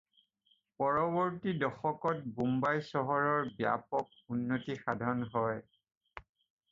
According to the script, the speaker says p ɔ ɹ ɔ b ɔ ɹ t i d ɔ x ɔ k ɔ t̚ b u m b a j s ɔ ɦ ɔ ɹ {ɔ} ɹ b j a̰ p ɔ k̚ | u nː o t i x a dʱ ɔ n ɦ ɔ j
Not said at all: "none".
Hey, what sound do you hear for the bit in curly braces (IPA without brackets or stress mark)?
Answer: ɔ